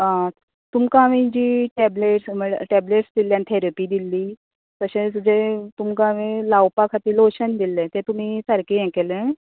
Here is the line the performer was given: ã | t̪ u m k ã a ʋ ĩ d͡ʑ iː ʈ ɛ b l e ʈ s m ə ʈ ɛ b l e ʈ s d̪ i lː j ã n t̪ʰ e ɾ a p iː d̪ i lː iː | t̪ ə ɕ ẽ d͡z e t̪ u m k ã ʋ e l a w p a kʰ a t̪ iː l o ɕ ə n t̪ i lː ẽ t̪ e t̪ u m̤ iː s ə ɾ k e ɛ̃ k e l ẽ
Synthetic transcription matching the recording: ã | t̪ u m k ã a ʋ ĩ d͡ʑ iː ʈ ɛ b l e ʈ s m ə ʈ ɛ b l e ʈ s d̪ i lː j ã n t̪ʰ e ɾ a p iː d̪ i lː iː | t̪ ə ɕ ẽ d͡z e t̪ u m k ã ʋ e l a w p a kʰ a t̪ iː l o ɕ ə n d̪ i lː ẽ t̪ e t̪ u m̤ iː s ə ɾ k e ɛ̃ k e l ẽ